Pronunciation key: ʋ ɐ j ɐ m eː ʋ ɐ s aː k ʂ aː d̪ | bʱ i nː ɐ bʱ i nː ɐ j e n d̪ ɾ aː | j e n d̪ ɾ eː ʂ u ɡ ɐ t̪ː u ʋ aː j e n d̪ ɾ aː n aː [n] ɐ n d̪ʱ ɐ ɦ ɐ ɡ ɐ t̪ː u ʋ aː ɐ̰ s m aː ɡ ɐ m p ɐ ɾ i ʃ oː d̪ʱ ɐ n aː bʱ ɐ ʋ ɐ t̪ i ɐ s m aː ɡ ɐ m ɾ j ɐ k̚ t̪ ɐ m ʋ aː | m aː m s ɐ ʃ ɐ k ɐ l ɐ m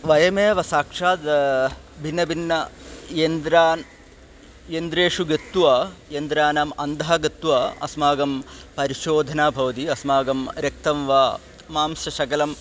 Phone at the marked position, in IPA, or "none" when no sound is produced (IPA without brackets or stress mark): m